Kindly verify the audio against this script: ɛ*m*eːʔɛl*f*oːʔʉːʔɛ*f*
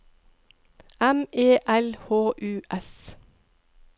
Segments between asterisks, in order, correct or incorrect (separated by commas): correct, incorrect, incorrect